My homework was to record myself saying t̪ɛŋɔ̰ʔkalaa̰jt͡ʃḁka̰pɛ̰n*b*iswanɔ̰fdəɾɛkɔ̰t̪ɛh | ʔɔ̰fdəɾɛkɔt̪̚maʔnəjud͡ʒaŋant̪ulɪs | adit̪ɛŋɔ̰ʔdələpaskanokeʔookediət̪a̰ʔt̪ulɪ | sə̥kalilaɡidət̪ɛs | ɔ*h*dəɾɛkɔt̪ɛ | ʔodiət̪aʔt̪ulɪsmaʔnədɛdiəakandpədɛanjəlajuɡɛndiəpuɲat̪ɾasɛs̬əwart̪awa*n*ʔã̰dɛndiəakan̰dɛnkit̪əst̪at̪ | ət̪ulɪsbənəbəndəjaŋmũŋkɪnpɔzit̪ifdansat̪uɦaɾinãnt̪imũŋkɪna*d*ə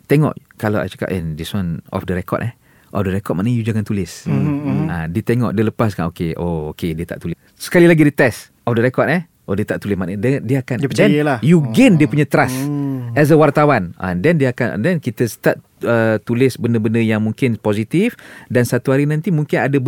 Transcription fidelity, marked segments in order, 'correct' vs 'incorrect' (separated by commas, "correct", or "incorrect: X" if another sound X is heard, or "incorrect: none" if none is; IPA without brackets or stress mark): incorrect: d, incorrect: f, correct, correct